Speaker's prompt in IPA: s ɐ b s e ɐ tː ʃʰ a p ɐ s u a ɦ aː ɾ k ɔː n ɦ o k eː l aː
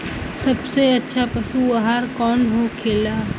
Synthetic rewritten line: s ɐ b s e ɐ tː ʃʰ a p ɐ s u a ɦ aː ɾ k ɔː n ɦ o kʰ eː l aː